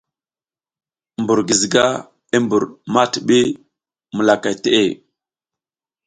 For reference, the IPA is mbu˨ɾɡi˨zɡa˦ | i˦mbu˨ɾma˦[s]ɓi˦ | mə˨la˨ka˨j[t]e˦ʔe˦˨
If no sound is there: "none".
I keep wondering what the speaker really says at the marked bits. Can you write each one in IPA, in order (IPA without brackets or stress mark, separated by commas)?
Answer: t, t